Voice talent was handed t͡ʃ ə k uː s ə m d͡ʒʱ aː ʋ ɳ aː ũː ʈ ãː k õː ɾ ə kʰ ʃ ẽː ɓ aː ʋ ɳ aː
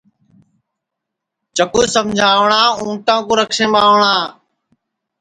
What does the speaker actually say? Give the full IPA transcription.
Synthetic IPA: t͡ʃ ə k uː s ə m d͡ʒʱ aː ʋ ɳ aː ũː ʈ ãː k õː ɾ ə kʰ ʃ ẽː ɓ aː ʋ ɳ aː

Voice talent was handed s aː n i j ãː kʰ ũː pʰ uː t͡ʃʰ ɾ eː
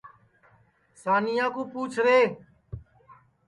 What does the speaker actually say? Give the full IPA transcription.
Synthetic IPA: s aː n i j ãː k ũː p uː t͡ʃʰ ɾ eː

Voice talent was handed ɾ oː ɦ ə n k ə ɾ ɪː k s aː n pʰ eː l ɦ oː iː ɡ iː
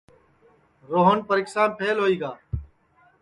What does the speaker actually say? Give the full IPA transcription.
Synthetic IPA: ɾ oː ɦ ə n p ə ɾ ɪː k s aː n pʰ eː l ɦ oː iː ɡ aː

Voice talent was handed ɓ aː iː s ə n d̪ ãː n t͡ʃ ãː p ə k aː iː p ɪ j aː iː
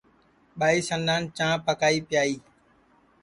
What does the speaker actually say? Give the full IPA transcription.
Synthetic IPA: ɓ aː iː s ə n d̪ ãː n t͡ʃ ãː p ə k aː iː p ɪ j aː iː

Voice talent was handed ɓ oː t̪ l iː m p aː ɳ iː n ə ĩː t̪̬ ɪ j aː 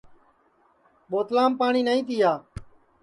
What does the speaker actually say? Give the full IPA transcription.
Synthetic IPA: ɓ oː t̪ l aː m p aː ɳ iː n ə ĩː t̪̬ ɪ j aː

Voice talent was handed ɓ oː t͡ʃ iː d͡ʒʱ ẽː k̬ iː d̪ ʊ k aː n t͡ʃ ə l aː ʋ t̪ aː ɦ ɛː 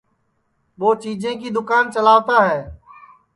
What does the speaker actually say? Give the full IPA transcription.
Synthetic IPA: ɓ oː t͡ʃ iː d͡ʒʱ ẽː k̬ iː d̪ ʊ k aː n t͡ʃ ə l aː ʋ t̪ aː ɦ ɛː

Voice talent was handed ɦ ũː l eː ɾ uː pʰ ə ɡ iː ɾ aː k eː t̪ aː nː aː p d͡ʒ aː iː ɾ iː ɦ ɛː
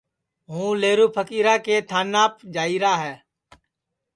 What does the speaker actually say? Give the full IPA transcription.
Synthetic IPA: ɦ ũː l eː ɾ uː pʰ ə k iː ɾ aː k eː t̪ʰ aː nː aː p d͡ʒ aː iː ɾ aː ɦ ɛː

